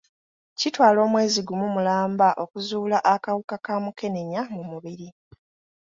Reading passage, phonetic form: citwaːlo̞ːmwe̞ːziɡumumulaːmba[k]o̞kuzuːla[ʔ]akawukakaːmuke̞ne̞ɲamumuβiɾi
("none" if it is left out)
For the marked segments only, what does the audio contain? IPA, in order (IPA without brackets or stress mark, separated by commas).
ʔ, ʔ